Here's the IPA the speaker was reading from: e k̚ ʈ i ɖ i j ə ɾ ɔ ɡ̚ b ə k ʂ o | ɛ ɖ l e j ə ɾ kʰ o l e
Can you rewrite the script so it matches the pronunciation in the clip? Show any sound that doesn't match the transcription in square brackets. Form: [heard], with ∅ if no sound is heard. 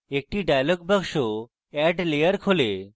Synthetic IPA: e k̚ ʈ i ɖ [a] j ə [l] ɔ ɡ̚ b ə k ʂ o | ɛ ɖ l e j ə ɾ kʰ o l e